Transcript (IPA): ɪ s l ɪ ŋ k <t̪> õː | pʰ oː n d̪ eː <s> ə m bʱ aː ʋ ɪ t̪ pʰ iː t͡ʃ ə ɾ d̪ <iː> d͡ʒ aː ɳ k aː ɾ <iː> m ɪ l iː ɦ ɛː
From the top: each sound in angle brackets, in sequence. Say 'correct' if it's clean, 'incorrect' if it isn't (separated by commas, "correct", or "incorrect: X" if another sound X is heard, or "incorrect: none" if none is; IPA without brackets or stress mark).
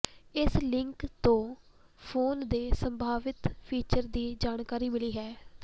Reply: correct, correct, correct, correct